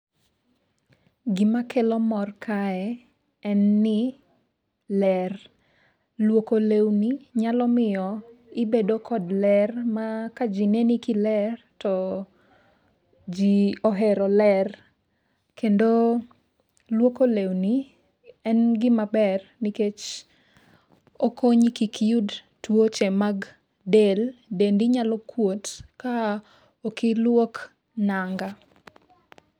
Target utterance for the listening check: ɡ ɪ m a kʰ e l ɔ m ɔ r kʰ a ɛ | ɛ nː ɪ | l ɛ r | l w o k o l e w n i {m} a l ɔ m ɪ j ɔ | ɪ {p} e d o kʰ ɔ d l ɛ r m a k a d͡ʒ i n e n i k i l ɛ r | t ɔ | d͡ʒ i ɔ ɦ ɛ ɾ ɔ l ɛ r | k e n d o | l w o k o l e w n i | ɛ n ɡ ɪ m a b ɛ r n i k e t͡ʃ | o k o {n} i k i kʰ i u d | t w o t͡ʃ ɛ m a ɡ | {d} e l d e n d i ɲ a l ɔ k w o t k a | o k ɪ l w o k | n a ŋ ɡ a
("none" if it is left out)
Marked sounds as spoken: ɲ, b, ɲ, d

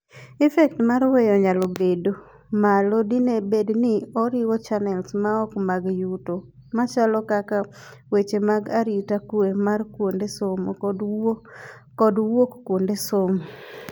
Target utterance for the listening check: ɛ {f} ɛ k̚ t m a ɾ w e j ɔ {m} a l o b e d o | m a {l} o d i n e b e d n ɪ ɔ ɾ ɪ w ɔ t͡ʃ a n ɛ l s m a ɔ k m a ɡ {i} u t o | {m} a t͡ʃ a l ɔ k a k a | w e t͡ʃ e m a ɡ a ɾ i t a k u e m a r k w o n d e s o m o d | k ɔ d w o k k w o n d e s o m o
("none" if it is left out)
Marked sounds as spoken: f, ɲ, l, j, m

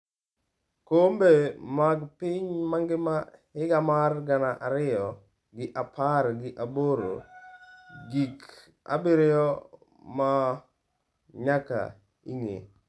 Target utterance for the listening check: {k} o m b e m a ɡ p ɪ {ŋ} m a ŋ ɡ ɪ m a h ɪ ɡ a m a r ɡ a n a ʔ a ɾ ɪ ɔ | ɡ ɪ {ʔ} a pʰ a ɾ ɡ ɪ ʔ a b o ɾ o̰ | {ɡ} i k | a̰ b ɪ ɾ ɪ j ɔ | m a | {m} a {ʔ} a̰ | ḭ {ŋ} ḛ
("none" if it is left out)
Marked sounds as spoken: k, ɲ, ʔ, ɡ, ɲ, k, ŋ

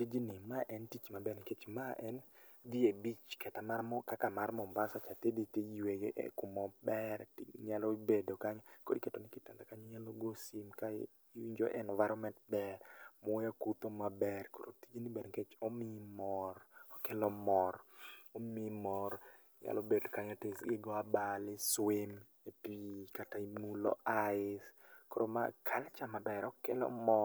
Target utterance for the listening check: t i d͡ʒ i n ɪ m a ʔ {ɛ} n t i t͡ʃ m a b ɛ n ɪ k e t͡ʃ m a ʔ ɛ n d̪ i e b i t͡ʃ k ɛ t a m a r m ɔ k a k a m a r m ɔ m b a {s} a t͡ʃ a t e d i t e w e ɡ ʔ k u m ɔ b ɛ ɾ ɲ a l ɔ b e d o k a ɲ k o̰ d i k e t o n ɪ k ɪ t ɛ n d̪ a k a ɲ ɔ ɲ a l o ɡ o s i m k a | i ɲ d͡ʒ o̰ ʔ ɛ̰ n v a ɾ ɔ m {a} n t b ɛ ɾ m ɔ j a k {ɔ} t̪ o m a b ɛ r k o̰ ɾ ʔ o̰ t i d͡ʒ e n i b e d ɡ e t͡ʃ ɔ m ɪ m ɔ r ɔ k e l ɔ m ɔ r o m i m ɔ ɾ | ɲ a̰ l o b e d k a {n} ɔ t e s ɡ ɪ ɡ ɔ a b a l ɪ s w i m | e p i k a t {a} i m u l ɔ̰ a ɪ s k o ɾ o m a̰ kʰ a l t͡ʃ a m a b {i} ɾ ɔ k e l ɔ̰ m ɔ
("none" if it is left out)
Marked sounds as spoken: ɛ, s, ɛ, u, ɲ, a, ɛ

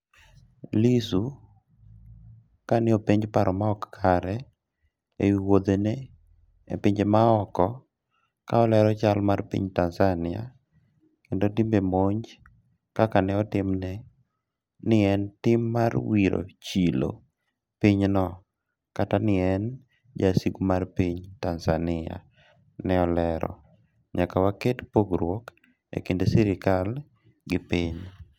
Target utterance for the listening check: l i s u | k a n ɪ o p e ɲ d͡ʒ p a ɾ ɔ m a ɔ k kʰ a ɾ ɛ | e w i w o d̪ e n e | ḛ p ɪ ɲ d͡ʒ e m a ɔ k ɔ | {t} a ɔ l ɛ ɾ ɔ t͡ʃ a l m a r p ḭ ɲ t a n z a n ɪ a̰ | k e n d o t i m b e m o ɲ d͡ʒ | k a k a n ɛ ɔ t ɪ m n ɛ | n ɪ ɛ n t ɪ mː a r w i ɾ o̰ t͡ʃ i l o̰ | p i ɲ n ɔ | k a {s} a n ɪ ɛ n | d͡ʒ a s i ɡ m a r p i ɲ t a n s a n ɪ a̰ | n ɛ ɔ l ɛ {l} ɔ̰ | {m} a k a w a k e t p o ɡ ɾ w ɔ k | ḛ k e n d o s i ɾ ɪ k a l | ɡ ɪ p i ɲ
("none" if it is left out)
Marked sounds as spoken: k, t, ɾ, ɲ

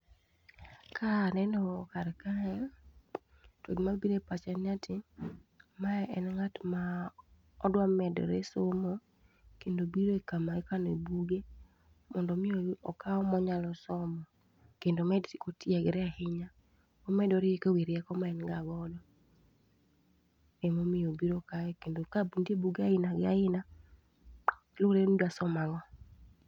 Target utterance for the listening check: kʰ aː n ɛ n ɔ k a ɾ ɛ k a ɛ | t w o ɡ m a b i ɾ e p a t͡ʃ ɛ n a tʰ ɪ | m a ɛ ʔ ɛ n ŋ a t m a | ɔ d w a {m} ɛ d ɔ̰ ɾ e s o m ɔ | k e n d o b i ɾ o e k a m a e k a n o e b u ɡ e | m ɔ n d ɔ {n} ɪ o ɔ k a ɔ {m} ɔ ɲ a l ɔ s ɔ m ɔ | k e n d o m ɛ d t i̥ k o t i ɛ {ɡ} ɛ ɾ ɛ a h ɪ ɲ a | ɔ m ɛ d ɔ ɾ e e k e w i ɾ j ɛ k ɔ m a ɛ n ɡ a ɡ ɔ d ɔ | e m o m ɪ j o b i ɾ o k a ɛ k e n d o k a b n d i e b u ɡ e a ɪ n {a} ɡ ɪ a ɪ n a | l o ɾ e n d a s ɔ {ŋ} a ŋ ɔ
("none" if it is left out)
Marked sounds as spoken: m, m, m, ɡ, a, m

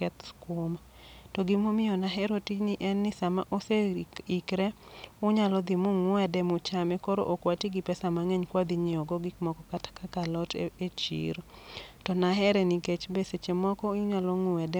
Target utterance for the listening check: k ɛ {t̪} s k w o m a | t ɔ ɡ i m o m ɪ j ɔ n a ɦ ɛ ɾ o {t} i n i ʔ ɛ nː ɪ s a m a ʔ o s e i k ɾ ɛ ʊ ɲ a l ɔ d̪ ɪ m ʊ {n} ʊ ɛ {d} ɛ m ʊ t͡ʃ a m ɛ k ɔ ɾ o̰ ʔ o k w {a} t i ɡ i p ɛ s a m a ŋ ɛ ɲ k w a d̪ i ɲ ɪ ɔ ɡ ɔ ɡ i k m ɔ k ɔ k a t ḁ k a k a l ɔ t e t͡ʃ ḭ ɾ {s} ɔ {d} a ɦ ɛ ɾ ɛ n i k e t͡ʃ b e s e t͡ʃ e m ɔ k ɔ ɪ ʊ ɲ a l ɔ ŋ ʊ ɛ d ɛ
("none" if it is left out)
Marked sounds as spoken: t̪, t, ŋ, d, a, t, n

